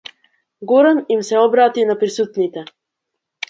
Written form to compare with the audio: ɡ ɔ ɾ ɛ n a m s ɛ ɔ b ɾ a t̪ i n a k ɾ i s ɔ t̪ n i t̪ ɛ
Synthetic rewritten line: ɡ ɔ ɾ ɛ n i m s ɛ ɔ b ɾ a t̪ i n a p ɾ i s u t̪ n i t̪ ɛ